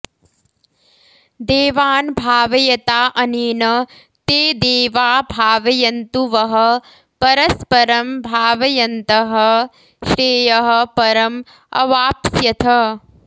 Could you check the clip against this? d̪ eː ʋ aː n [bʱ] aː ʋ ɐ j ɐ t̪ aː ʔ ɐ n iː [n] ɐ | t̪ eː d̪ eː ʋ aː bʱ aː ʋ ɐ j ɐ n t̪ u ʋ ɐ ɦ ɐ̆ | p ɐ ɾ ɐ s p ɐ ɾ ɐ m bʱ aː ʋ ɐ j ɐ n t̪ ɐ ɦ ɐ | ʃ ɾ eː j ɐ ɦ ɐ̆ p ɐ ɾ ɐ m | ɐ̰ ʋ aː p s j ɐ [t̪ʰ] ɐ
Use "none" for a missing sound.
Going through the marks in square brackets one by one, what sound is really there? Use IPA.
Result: bʱ, n, t̪ʰ

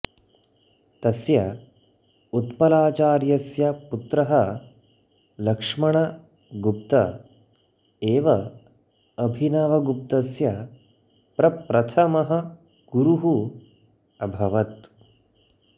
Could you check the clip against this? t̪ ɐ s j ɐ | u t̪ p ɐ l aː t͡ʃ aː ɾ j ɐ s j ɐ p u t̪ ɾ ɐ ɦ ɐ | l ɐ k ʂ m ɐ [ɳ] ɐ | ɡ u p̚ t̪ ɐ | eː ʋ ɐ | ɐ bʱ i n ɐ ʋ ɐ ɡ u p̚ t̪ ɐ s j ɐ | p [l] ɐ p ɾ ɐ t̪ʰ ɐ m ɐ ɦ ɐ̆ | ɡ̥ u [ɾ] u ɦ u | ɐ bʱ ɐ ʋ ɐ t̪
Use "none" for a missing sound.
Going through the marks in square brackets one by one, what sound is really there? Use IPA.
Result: ɳ, ɾ, ɾ

